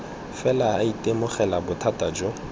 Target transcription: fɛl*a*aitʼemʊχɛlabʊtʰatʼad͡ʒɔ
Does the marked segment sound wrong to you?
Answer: no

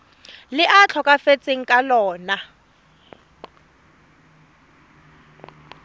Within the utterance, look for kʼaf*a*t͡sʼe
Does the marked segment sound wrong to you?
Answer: yes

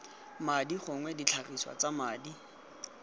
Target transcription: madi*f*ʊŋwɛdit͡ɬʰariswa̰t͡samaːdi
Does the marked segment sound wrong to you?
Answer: yes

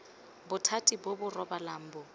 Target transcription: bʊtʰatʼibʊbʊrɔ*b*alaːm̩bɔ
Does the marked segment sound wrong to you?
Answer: no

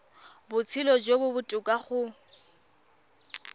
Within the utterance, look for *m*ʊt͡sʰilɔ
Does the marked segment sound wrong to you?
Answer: yes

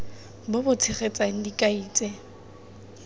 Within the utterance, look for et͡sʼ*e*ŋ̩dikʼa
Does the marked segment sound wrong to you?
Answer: yes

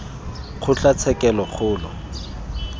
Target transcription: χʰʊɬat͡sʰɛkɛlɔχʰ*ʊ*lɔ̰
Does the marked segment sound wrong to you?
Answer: yes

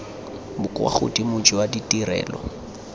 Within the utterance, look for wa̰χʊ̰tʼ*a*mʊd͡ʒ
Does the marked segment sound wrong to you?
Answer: yes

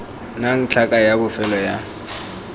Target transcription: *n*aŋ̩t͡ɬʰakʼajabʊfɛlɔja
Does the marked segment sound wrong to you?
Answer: no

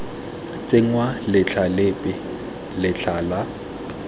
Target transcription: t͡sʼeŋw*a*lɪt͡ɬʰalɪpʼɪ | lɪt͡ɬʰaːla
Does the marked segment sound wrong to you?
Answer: no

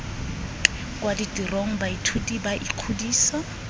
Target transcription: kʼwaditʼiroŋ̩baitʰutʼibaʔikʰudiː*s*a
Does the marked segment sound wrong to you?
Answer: no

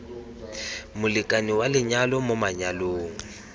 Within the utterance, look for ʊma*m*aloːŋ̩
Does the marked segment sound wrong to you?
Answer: yes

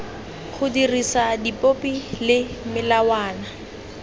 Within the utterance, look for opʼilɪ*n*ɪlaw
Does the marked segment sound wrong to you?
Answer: yes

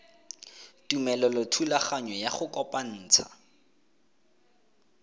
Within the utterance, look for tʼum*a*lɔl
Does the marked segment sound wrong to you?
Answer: yes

